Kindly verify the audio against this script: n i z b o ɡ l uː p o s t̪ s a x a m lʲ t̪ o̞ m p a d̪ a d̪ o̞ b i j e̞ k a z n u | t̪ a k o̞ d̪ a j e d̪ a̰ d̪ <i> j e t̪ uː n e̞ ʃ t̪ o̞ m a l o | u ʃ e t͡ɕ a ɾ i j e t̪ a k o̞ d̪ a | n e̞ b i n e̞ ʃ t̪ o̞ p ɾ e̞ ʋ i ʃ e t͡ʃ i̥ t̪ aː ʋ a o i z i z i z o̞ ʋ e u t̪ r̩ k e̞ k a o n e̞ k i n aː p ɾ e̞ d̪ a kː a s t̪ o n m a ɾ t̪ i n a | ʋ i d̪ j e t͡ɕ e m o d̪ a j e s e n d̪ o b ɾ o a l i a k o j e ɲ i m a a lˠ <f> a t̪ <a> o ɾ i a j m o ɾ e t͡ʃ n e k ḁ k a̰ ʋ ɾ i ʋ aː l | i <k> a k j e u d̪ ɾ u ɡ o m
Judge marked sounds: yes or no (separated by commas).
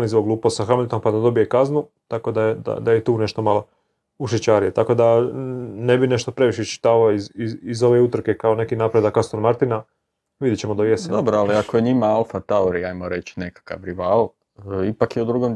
no, yes, yes, no